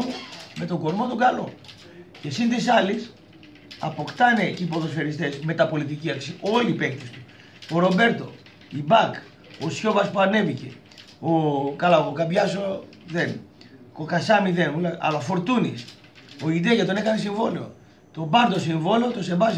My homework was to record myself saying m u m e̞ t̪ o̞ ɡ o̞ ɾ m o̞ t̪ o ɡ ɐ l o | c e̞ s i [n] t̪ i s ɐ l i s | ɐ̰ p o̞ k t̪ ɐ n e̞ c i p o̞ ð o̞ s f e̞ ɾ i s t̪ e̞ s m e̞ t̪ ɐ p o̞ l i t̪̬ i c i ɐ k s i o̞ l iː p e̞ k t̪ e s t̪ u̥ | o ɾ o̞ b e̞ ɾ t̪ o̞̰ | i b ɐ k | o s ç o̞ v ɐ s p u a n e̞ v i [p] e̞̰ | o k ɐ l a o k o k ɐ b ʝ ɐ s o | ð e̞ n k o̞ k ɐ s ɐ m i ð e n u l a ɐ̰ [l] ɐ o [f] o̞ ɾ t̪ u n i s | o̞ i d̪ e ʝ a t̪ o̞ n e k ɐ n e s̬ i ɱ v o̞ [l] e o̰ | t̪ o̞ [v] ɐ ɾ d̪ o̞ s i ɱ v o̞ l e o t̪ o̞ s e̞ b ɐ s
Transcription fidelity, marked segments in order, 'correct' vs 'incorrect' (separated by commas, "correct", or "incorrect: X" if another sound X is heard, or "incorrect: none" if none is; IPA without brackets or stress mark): correct, incorrect: c, correct, correct, correct, incorrect: b